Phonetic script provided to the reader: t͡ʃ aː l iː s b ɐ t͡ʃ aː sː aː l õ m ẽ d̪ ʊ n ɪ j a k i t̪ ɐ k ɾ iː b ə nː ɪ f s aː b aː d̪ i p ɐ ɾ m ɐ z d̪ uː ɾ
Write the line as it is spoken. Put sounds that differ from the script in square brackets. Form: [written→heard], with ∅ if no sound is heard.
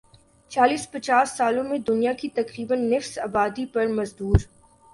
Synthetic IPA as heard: t͡ʃ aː l iː s [b→p] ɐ t͡ʃ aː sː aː l õ m ẽ d̪ ʊ n [ɪ→i] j a k i t̪ ɐ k ɾ iː b ə nː ɪ f s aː b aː d̪ i p ɐ ɾ m ɐ z d̪ uː ɾ